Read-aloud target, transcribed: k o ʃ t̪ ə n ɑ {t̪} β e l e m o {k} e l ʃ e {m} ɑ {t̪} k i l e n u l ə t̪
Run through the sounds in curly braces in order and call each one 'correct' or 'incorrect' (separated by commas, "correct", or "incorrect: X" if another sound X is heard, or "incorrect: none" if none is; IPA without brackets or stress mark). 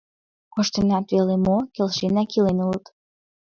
correct, correct, incorrect: n, incorrect: none